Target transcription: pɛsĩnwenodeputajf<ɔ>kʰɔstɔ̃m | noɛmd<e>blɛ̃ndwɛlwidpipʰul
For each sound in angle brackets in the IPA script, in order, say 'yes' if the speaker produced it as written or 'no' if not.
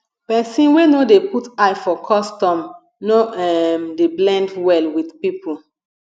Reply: yes, yes

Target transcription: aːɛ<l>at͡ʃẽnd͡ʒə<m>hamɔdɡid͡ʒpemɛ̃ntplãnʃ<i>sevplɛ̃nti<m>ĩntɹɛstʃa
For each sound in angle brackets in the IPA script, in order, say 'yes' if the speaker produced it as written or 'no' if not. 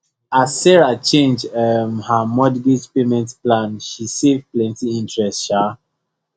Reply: no, yes, yes, no

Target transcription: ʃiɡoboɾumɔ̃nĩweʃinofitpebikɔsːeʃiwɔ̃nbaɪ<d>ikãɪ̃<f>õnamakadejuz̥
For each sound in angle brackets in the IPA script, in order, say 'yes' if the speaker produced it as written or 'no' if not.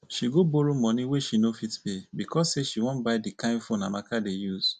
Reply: yes, yes

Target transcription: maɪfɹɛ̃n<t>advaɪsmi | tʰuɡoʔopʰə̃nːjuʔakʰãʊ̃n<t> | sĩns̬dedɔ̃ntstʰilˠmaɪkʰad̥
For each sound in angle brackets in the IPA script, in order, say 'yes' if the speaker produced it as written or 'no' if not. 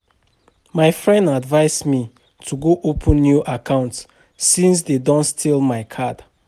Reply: no, yes

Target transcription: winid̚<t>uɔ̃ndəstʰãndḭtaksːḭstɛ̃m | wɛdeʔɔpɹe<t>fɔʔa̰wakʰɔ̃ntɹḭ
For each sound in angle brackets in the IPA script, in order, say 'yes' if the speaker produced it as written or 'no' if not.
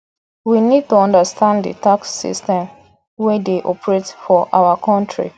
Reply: yes, yes

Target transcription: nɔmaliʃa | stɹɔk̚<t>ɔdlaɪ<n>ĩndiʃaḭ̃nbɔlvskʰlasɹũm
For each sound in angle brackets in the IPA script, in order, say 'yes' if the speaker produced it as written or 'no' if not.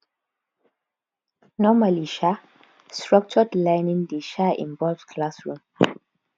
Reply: no, yes

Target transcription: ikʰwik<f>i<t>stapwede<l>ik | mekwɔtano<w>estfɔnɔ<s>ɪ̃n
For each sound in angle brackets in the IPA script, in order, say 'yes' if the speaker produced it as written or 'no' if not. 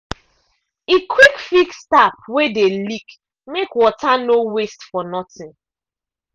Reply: yes, no, yes, yes, no

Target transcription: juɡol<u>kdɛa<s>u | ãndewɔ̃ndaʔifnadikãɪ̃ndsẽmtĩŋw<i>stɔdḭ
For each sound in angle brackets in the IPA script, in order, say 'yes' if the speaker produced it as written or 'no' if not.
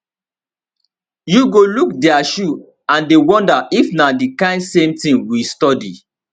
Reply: yes, no, yes

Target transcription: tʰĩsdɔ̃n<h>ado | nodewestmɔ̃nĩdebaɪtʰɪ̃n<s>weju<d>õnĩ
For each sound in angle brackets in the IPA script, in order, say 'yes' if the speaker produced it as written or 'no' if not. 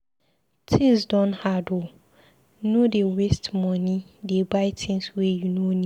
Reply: yes, yes, no

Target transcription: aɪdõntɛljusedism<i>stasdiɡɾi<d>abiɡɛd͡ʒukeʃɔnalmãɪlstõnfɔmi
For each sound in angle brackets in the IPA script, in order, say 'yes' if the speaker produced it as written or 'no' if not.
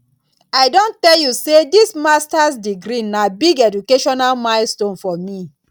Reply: no, no

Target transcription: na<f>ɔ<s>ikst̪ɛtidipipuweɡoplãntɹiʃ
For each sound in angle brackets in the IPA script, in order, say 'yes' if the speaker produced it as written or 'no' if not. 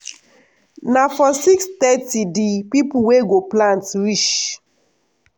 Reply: yes, yes

